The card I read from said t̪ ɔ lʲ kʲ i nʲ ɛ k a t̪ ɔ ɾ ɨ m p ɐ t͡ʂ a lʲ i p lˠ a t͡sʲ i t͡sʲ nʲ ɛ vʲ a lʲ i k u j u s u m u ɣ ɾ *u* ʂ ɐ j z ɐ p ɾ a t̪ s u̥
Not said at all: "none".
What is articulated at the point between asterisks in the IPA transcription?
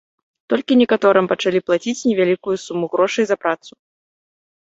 ɔ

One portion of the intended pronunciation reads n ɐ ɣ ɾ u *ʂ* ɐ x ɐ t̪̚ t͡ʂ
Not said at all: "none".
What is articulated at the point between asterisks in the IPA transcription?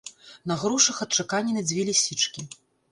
ʂ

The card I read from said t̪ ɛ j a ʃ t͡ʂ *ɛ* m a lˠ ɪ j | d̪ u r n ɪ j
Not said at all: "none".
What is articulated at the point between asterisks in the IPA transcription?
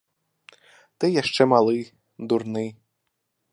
ɛ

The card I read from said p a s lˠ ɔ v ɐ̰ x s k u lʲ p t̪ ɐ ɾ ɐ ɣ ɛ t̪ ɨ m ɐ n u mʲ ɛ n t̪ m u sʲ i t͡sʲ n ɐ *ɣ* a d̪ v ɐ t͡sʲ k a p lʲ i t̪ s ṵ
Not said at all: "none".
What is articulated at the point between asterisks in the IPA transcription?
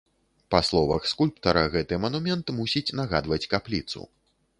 ɣ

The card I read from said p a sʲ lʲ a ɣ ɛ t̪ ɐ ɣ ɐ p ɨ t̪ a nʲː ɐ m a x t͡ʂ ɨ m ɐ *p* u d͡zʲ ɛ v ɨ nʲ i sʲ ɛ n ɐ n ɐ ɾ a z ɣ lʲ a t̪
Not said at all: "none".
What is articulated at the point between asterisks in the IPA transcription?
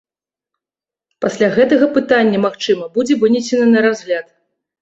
b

